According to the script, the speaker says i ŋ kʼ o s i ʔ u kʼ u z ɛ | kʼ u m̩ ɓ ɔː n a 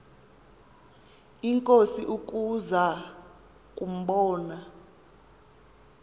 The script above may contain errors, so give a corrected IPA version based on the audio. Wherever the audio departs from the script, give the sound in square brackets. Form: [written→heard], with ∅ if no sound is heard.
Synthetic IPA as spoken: i ŋ kʼ o s i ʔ u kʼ u z [ɛ→a] | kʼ u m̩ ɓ ɔː n a